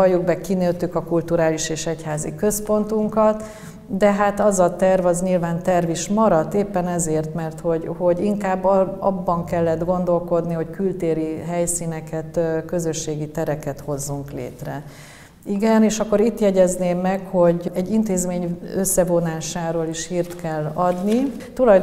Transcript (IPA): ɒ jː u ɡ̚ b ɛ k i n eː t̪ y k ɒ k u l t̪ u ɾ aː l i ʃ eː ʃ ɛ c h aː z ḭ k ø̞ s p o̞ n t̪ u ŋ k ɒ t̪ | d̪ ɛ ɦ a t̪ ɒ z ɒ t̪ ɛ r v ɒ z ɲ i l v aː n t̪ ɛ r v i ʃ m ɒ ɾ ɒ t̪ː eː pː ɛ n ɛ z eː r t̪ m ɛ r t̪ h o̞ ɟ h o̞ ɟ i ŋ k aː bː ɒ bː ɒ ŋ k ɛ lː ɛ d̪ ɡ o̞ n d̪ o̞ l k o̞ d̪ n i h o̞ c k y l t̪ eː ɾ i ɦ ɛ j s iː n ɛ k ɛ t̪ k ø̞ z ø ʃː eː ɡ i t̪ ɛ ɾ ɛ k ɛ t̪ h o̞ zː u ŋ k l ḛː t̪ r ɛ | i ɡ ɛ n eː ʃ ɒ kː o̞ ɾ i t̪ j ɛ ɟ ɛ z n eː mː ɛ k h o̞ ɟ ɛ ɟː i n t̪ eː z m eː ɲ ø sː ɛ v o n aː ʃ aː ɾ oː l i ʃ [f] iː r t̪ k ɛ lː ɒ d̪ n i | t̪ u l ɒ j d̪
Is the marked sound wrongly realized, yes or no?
yes